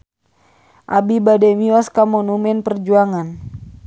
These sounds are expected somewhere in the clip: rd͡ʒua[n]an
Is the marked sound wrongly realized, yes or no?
yes